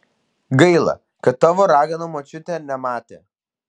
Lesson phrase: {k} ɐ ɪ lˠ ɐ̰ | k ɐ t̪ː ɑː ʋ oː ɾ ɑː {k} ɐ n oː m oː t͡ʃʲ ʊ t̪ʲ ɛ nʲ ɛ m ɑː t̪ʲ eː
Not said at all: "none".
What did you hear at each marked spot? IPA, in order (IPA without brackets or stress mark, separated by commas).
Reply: ɡ, ɡ